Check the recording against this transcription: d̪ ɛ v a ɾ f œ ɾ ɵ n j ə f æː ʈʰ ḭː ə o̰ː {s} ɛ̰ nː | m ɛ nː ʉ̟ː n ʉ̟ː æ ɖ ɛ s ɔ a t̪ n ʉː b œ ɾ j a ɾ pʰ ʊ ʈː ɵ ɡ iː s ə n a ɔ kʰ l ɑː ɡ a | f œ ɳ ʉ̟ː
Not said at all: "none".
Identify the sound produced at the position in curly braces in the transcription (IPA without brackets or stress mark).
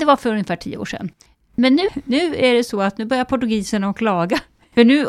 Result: ʂ